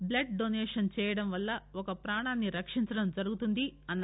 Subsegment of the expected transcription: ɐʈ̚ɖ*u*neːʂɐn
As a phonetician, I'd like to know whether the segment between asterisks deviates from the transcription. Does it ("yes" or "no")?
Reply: yes